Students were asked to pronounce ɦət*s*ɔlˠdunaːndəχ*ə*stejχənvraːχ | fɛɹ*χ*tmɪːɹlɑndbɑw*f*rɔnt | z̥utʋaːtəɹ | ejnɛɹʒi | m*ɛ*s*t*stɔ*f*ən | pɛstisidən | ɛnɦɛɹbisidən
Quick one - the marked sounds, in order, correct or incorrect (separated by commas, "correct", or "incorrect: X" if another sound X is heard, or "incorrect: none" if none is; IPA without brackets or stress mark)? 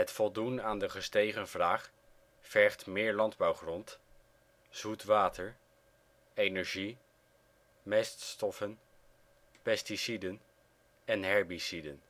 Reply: incorrect: f, correct, correct, incorrect: χ, correct, correct, correct